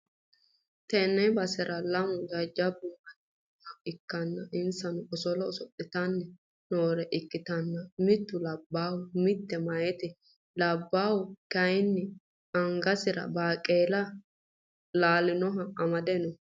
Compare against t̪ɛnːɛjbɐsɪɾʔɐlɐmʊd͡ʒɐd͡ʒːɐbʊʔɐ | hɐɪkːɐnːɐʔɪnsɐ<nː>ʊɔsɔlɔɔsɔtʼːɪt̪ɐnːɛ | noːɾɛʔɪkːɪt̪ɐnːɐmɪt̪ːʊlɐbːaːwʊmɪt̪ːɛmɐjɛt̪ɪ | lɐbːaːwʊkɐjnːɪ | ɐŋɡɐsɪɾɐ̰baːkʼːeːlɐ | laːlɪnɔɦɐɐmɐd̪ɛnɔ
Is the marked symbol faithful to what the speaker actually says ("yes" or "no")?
no